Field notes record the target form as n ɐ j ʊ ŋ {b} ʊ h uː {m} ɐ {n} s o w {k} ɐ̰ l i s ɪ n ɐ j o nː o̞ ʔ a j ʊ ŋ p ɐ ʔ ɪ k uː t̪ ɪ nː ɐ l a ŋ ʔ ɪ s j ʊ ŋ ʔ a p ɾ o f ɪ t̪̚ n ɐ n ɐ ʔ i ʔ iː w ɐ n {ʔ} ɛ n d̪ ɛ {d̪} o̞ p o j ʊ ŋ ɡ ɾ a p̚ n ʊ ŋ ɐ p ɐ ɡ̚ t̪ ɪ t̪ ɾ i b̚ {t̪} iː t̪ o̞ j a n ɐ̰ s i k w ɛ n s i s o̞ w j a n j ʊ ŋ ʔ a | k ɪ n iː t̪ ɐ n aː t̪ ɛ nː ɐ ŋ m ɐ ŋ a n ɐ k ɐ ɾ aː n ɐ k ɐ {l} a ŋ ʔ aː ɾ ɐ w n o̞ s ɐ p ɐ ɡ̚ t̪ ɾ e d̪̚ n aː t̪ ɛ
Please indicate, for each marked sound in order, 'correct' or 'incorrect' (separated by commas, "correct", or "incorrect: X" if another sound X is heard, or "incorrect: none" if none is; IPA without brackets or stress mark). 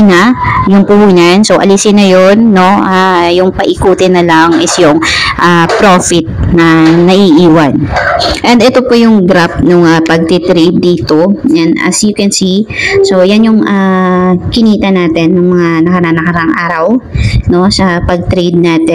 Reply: incorrect: p, incorrect: n, correct, incorrect: ʔ, correct, incorrect: t̪, incorrect: d̪, incorrect: ɾ